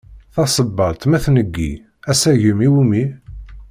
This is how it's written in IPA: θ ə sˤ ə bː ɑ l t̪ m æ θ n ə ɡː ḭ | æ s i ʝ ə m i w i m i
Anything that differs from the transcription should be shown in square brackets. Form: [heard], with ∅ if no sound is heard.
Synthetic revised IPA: θ [ɑ] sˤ ə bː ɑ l t̪ m æ θ n ə ɡː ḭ | æ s [æ] ʝ ə m i w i m i